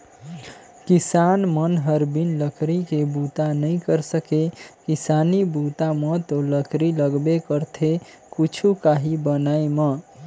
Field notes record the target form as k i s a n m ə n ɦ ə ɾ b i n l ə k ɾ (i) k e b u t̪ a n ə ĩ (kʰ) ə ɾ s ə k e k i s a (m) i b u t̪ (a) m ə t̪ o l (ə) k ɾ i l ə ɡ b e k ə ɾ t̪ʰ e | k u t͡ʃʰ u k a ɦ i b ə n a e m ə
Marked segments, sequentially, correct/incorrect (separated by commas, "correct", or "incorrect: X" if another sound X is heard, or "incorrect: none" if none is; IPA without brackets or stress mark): correct, incorrect: k, incorrect: n, correct, correct